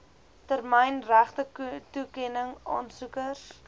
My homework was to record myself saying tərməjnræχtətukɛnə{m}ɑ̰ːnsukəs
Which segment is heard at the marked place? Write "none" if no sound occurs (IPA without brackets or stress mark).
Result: ŋ